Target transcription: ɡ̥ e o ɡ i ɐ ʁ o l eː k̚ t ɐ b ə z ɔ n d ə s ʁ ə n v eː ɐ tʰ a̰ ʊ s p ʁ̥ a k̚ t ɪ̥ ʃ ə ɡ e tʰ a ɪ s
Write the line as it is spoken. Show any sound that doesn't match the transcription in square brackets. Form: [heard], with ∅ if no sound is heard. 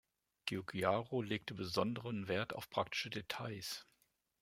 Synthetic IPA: ɡ̥ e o ɡ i [a] ʁ o l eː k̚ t [ə] b ə z ɔ n d ə [∅] ʁ ə n v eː ɐ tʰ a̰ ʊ [f] p ʁ̥ a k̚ t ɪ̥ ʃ ə [d] e tʰ a ɪ s